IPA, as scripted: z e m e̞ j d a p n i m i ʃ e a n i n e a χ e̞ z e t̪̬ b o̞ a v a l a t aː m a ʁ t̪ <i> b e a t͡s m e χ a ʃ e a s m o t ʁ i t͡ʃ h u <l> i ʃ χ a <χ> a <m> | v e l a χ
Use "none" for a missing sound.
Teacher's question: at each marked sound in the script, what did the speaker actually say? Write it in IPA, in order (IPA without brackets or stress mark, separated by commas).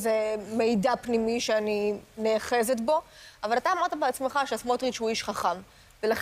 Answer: a, none, χ, m